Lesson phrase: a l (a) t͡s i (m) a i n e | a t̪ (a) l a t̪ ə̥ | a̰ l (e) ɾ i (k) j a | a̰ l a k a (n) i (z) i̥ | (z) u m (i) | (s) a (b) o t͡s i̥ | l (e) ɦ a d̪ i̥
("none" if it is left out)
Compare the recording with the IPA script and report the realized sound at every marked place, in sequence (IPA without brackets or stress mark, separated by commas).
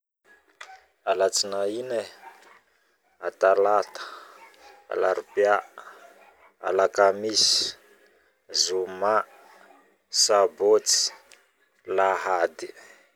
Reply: a, n, a, a, p, m, s, z, a, s, b, a